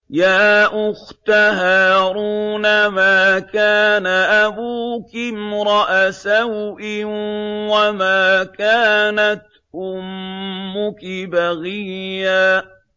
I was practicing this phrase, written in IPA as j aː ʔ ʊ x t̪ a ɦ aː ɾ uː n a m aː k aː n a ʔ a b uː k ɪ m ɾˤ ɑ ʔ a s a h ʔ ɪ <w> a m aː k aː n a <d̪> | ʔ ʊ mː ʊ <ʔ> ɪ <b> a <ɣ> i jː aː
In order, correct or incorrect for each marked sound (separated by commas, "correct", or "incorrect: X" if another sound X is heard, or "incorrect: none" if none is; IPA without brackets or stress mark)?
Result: correct, incorrect: t̪, incorrect: k, correct, correct